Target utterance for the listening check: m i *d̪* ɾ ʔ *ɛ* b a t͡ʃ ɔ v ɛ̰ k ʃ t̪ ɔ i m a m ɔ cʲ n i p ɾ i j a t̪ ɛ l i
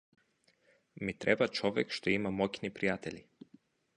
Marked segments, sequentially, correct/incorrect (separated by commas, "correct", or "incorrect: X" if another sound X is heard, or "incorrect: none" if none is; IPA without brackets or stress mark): incorrect: t̪, correct